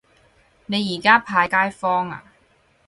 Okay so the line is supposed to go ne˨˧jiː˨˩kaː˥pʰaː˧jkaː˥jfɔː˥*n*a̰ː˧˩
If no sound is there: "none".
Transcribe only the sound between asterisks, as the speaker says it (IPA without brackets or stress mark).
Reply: ŋ